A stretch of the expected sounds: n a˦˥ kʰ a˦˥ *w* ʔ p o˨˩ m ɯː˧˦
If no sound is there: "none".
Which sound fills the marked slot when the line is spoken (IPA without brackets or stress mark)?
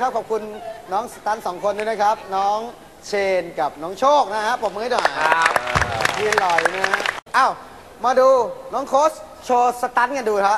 none